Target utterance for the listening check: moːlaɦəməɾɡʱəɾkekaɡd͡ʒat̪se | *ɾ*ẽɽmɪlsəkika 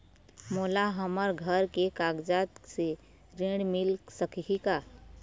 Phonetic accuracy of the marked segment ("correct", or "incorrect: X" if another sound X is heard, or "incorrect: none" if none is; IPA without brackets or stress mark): correct